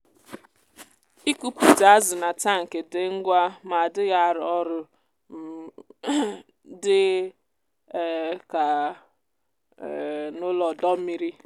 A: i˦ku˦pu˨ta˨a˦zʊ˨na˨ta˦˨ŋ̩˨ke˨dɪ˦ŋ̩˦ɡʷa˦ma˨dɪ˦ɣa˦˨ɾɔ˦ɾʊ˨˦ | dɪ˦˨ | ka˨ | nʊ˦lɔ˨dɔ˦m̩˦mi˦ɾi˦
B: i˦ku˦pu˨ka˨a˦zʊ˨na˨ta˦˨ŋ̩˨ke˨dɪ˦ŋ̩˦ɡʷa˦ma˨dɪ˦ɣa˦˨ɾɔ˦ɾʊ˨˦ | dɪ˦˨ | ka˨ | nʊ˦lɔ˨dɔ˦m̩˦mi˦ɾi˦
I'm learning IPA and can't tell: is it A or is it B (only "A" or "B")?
A